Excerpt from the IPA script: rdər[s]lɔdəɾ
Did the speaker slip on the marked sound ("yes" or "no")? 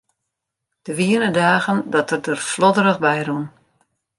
yes